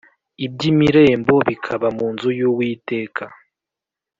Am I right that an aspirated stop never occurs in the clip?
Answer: no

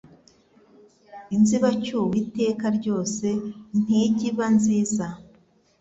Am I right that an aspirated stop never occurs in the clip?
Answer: yes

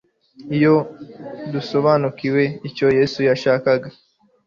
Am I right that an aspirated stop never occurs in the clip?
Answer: yes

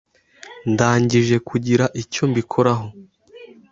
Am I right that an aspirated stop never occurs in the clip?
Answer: no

